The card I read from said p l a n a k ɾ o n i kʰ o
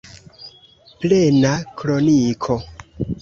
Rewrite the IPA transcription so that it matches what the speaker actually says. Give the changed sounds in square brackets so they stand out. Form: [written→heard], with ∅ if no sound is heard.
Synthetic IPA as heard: p l [a→e] n a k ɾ o n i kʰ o